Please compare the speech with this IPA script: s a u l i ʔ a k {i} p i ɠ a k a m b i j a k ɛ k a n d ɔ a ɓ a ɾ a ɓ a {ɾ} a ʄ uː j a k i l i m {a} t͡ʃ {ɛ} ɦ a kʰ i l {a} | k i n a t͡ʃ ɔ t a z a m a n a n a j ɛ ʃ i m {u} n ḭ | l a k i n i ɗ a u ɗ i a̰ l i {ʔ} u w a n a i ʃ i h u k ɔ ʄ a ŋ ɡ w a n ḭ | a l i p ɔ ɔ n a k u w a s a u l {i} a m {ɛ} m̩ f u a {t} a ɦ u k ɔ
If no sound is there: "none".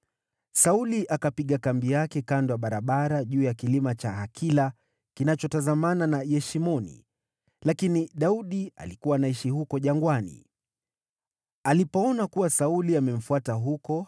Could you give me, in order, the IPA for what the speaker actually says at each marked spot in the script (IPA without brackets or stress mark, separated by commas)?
a, ɾ, a, a, a, ɔ, k, i, ɛ, t